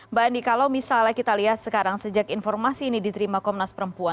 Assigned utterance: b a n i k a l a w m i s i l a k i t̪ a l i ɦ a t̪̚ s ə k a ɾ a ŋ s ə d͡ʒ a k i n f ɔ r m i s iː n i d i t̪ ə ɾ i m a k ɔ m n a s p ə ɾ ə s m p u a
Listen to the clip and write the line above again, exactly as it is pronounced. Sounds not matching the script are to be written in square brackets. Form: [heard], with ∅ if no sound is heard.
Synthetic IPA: b a n i k a l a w m i s [a] l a k i t̪ a l i ɦ a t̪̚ s ə k a ɾ a ŋ s ə d͡ʒ a k i n f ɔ r m [a] s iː n i d i t̪ ə ɾ i m a k ɔ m n a s p ə ɾ ə [∅] m p u a

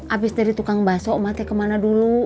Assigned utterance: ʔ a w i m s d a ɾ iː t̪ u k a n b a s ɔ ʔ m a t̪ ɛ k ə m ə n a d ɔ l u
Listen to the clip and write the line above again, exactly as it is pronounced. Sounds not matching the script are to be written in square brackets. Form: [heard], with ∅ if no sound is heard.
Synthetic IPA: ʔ a [b] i [∅] s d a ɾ [i] t̪ u k a [ŋ] b a s ɔ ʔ m a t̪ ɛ k ə m [a] n a d [u] l u

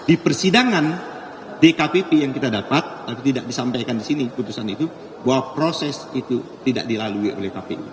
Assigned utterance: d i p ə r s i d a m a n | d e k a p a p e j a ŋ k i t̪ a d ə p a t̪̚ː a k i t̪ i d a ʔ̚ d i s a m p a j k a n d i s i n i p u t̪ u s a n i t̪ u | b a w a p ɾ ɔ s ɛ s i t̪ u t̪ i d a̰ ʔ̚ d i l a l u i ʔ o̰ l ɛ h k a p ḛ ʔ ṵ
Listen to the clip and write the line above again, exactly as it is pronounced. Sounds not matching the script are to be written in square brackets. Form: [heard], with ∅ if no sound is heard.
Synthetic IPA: d i p ə r s i d a [ŋ] a n | d e k a p [e] p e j a ŋ k i t̪ a d [a] p a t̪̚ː a [p] i t̪ i d a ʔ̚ d i s a m p a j k a n d i s i n i p u t̪ u s a n i t̪ u | b a w a p ɾ [o] s ɛ s i t̪ u t̪ i d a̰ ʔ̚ d i l a l u i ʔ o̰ l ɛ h k a p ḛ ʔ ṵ

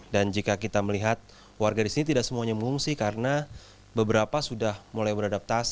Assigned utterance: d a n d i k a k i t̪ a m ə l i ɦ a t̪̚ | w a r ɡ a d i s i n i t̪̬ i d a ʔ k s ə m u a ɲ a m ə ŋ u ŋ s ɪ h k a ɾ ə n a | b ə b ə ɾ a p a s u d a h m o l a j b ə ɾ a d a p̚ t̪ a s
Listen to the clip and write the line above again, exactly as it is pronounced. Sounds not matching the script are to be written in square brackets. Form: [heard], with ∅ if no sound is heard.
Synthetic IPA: d a n [d͡ʒ] i k a k i t̪ a m ə l i ɦ a t̪̚ | w a r ɡ a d i s i n i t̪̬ i d a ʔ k s ə m u a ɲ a m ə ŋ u ŋ s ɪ h k a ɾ ə n a | b ə b ə ɾ a p a s u d a h m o l a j b ə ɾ a d a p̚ t̪ a s

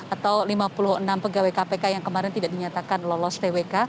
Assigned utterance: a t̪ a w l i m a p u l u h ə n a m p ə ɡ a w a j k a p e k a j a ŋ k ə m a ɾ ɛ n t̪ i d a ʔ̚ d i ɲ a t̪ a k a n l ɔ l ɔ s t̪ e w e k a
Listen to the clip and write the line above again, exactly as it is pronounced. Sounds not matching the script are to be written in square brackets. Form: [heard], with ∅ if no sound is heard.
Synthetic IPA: a t̪ a w l i m a p u l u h ə n a m p ə ɡ a w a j k a p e k a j a ŋ k ə m a ɾ ɛ n t̪ i d a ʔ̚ d i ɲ a t̪ a k a n l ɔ l ɔ s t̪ e w e k a

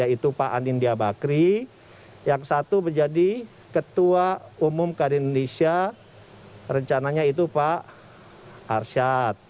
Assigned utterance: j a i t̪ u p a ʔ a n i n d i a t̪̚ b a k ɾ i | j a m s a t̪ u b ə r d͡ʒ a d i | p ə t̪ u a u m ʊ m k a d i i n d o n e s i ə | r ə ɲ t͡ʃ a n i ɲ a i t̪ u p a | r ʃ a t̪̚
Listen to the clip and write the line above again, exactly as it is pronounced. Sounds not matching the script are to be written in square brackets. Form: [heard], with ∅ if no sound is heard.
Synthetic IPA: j a i t̪ u p a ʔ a n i n d i a [∅] b a k ɾ i | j a [ŋ] s a t̪ u b ə r d͡ʒ a d i | [k] ə t̪ u a u m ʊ m k a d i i n d o n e s i [a] | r ə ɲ t͡ʃ a n [a] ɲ a i t̪ u p a | r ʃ a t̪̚

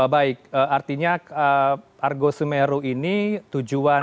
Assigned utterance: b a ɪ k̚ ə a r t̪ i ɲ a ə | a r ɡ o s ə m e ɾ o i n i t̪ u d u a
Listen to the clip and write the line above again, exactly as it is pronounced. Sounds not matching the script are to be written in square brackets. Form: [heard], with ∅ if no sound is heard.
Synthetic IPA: b a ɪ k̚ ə a r t̪ i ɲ a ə | a r ɡ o s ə m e ɾ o i n i t̪ u [d͡ʒ] u a

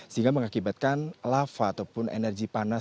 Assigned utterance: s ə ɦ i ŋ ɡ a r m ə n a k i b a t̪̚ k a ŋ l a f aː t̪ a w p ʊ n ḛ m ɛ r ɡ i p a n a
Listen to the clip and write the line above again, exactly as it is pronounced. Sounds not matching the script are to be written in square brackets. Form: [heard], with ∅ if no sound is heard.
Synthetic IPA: s ə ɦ i ŋ ɡ a [∅] m ə [ŋ] a k i b a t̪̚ k a [n] l a f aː t̪ a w p ʊ n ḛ [n] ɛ r ɡ i p a n a

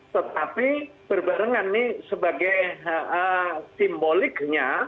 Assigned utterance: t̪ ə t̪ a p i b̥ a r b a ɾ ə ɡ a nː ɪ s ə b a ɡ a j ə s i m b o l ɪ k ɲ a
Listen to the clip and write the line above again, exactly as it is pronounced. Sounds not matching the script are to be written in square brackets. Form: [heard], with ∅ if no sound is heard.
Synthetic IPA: t̪ ə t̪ a p i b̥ [ə] r b a ɾ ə [ŋ] a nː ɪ s ə b a ɡ a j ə s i m b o l ɪ k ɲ a

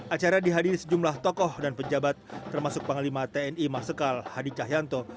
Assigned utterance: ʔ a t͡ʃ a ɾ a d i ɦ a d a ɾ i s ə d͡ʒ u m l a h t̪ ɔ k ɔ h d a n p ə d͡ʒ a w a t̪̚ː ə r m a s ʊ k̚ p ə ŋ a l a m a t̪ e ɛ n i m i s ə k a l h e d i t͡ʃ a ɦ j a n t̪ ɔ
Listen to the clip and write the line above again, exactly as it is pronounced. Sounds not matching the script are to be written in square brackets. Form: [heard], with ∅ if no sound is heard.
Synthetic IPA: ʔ a t͡ʃ a ɾ a d i ɦ a d [i] ɾ i s ə d͡ʒ u m l a h t̪ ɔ k ɔ h d a n p ə d͡ʒ a [b] a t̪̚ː ə r m a s ʊ k̚ p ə ŋ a l [i] m a t̪ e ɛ n i m [a] s ə k a l h [a] d i t͡ʃ a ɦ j a n t̪ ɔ

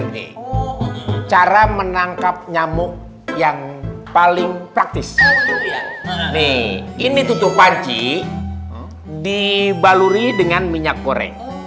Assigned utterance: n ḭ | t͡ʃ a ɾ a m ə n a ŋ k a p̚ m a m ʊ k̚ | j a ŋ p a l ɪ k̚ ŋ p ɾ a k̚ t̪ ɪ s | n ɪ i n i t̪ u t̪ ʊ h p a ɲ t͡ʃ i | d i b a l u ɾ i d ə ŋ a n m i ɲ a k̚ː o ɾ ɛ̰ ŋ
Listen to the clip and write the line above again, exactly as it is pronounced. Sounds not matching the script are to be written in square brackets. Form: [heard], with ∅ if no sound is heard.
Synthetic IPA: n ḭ | t͡ʃ a ɾ a m ə n a ŋ k a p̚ [ɲ] a m ʊ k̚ | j a ŋ p a l ɪ [∅] ŋ p ɾ a k̚ t̪ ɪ s | n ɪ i n i t̪ u t̪ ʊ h p a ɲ t͡ʃ i | d i b a l u ɾ i d ə ŋ a n m i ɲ a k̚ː o ɾ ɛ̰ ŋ

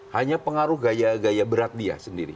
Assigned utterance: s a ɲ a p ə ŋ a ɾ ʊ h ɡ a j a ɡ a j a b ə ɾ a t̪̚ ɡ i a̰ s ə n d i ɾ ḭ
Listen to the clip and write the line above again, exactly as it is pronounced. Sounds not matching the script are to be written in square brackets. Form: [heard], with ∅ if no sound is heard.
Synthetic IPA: [h] a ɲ a p ə ŋ a ɾ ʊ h ɡ a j a ɡ a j a b ə ɾ a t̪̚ [d] i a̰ s ə n d i ɾ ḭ

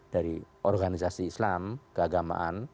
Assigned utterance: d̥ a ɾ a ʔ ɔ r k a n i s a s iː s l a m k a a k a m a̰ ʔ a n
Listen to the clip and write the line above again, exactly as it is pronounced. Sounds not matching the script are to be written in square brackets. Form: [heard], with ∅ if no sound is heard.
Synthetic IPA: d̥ a ɾ [i] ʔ ɔ r [ɡ] a n i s a s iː s l a m k [ə] a [ɡ] a m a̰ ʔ a n

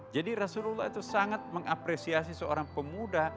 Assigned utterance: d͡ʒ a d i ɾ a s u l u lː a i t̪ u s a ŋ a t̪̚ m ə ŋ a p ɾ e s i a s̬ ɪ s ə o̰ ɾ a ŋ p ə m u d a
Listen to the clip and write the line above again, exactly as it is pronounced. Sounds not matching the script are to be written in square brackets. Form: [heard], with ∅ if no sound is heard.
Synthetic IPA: d͡ʒ a d i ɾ a s u l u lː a i t̪ u s a ŋ a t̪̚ m ə ŋ a p ɾ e s i a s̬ [i] s ə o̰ ɾ a ŋ p ə m u d a

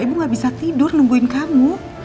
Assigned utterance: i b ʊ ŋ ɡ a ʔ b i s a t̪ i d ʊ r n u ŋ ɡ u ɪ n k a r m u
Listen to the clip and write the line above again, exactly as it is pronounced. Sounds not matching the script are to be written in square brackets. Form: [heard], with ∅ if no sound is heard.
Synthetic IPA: i b [u] ŋ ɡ a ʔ b i s a t̪ i d ʊ r n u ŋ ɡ u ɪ n k a [∅] m u

